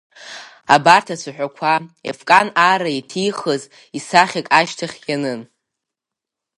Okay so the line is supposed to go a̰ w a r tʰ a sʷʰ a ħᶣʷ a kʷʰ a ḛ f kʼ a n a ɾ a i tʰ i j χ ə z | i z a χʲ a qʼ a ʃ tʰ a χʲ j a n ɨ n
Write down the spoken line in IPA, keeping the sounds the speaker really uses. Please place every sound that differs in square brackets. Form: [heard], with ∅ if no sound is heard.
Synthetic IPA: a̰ [b] a r tʰ a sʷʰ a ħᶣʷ a kʷʰ a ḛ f kʼ a n a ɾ a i tʰ i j χ ə z | i [s] a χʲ a [kʼ] a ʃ tʰ a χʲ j a n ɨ n

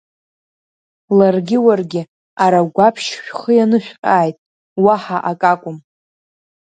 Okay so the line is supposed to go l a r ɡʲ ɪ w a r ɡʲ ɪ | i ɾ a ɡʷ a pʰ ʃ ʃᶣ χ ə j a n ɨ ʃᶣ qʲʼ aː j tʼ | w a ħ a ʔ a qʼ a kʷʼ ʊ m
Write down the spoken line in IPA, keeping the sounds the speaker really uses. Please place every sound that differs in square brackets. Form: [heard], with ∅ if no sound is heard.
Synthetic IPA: l a r ɡʲ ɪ w a r ɡʲ ɪ | [a] ɾ a ɡʷ a pʰ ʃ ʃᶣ χ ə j a n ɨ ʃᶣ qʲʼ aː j tʼ | w a ħ a ʔ a [kʼ] a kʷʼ ʊ m

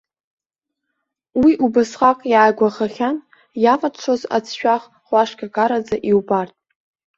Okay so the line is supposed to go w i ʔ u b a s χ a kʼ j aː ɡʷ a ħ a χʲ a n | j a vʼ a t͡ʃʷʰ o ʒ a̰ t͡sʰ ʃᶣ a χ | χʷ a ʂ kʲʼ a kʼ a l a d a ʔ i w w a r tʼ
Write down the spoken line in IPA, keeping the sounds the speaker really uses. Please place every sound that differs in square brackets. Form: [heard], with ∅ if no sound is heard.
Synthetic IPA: w i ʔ u b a s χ a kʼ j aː ɡʷ a [χ] a χʲ a n | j a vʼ a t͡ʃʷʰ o [z] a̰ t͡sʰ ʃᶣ a χ | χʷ a ʂ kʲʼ a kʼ a [ɾ] a [d͡z] a ʔ i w [b] a r tʼ

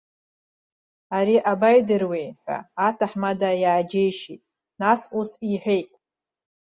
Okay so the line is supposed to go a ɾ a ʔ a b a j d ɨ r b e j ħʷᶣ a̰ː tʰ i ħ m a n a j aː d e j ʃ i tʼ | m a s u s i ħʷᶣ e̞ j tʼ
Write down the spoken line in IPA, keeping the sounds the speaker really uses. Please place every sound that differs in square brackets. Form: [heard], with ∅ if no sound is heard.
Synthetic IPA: a ɾ [i] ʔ a b a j d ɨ r [w] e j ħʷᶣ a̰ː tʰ [a] ħ m a [d] a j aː [d͡ʒ] e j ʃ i tʼ | [n] a s u s i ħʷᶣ e̞ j tʼ

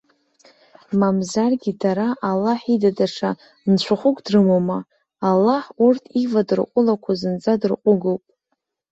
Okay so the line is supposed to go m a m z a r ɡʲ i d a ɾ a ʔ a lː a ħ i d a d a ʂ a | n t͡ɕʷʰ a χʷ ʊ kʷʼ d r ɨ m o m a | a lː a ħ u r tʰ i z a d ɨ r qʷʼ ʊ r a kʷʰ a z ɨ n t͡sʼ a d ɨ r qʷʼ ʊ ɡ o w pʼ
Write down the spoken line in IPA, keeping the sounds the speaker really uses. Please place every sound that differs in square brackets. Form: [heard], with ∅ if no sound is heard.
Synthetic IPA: m a m z a r ɡʲ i d a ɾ a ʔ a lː a ħ i d a d a ʂ a | n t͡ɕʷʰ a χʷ ʊ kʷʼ d r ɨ m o m a | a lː a ħ u r tʰ i [v] a d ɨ r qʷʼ ʊ [l] a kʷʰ a z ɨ n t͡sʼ a d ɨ r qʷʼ ʊ ɡ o w pʼ

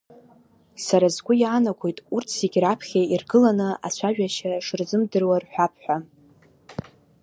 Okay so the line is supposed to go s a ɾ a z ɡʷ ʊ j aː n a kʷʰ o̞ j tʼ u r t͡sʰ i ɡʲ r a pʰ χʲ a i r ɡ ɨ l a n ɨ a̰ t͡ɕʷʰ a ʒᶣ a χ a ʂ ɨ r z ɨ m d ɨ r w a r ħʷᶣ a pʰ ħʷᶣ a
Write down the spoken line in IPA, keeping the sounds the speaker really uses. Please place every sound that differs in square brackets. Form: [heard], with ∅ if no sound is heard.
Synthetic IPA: s a ɾ a z ɡʷ ʊ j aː n a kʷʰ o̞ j tʼ u r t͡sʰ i ɡʲ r a pʰ χʲ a i r ɡ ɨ l a n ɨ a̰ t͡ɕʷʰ a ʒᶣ a [ʃ] a ʂ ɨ r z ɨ m d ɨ r w a r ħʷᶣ a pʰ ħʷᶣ a

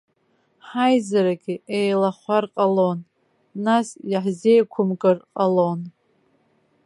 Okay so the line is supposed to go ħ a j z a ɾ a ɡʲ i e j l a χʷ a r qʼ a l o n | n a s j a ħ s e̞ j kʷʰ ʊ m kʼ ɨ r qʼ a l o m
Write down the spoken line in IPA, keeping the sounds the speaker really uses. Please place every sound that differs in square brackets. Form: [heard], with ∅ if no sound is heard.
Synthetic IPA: ħ a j z a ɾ a ɡʲ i e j l a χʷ a r qʼ a l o n | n a s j a ħ [z] e̞ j kʷʰ ʊ m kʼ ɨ r qʼ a l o [n]

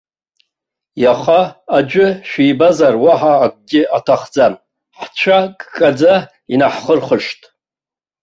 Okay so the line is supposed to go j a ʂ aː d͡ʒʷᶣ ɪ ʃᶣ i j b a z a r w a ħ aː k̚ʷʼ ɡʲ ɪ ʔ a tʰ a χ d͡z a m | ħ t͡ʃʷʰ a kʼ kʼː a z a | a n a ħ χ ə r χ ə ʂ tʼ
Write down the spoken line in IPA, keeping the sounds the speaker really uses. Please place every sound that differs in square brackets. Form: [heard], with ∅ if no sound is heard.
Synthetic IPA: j a [χ] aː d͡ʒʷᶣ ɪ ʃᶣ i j b a z a r w a ħ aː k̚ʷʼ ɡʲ ɪ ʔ a tʰ a χ d͡z a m | ħ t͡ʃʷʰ a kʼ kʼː a [d͡z] a | [i] n a ħ χ ə r χ ə ʂ tʼ

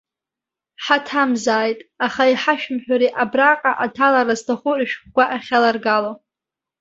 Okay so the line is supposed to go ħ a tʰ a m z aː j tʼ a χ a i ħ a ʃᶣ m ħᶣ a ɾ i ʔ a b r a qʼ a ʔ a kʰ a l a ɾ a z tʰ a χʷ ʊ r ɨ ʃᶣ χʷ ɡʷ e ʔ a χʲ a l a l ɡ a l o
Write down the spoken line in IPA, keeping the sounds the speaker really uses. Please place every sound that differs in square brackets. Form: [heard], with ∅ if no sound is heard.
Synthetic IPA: ħ a tʰ a m z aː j tʼ a χ a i ħ a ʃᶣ m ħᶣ a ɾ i ʔ a b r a qʼ a ʔ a [tʰ] a l a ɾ a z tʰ a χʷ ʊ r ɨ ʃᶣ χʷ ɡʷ [a] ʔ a χʲ a l a [r] ɡ a l o

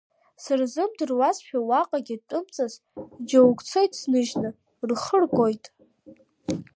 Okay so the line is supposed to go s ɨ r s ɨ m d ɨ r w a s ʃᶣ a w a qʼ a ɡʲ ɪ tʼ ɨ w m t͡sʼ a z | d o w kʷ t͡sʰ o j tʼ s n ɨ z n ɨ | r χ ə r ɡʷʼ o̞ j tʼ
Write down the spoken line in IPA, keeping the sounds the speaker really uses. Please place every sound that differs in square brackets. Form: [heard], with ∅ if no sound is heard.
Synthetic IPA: s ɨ r [z] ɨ m d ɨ r w a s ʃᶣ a w a qʼ a ɡʲ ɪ tʼ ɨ [∅] m t͡sʼ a z | [d͡ʒ] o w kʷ t͡sʰ o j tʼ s n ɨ [ʒ] n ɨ | r χ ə r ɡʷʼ o̞ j tʼ

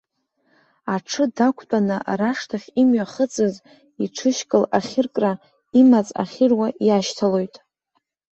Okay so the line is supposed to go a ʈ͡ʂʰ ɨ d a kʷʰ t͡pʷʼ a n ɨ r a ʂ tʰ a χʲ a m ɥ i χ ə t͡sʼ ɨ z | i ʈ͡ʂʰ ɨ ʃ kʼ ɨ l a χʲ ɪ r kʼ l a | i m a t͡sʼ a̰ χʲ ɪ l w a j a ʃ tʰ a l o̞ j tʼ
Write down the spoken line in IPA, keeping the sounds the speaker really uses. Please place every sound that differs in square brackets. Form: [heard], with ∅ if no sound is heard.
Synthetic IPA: a ʈ͡ʂʰ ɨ d a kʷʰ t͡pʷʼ a n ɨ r a ʂ tʰ a χʲ [i] m ɥ [a] χ ə t͡sʼ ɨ z | i ʈ͡ʂʰ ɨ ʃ kʼ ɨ l a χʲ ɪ r kʼ [r] a | i m a t͡sʼ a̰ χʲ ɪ [r] w a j a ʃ tʰ a l o̞ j tʼ

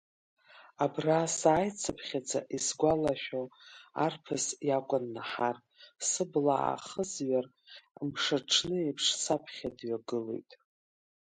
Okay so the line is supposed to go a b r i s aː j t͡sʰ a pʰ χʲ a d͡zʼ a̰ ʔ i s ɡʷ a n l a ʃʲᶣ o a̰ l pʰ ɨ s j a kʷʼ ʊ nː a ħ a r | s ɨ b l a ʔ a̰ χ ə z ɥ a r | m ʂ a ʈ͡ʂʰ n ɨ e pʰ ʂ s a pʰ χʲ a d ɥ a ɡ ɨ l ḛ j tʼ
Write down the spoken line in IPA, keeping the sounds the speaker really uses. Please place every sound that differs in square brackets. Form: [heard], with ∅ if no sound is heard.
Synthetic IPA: a b r [a] s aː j t͡sʰ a pʰ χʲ a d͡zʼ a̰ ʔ i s ɡʷ a [∅] l a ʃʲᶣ o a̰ [r] pʰ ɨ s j a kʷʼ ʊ nː a ħ a r | s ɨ b l a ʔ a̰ χ ə z ɥ a r | m ʂ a ʈ͡ʂʰ n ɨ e pʰ ʂ s a pʰ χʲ a d ɥ a ɡ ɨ l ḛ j tʼ

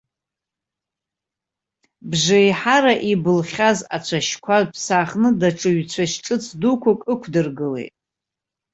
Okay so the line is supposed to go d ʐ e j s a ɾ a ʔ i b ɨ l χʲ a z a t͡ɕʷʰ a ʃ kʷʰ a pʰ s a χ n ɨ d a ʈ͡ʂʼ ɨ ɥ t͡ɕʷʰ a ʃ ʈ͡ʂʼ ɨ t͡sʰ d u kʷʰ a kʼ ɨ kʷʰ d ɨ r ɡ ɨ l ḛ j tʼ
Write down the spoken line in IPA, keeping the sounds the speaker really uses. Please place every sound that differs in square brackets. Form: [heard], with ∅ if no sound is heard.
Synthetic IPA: [b] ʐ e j [ħ] a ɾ a ʔ i b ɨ l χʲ a z a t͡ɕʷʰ a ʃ kʷʰ a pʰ s a χ n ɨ d a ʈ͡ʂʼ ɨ ɥ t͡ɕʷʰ a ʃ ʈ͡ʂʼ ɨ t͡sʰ d u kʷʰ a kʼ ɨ kʷʰ d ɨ r ɡ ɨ l ḛ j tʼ

